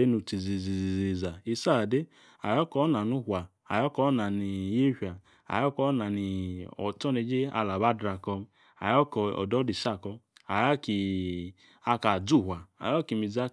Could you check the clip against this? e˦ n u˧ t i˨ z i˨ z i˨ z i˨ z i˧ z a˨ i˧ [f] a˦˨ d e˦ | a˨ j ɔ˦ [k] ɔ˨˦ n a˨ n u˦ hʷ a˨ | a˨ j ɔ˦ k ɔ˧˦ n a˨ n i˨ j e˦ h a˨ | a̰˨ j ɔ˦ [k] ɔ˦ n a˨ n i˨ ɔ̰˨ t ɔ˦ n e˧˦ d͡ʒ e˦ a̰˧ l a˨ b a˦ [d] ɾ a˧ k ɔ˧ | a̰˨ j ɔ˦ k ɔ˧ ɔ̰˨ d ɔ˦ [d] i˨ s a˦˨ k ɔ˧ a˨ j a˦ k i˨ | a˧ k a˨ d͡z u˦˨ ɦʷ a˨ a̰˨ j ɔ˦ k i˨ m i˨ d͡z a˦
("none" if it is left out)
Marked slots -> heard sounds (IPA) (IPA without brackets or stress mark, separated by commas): s, k, k, d, d